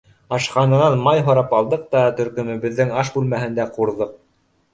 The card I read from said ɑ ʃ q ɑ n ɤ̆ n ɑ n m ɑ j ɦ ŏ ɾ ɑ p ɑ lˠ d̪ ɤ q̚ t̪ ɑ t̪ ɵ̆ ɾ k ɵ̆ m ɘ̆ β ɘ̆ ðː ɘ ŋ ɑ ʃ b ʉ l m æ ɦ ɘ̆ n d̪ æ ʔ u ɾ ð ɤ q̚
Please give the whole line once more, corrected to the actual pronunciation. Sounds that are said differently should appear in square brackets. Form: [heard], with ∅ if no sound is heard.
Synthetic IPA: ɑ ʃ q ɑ n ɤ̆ n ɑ n m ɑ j ɦ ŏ ɾ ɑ p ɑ lˠ d̪ ɤ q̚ t̪ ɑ t̪ ɵ̆ ɾ k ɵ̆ m ɘ̆ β ɘ̆ ðː ɘ ŋ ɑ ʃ b ʉ l m æ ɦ ɘ̆ n d̪ æ [q] u ɾ ð ɤ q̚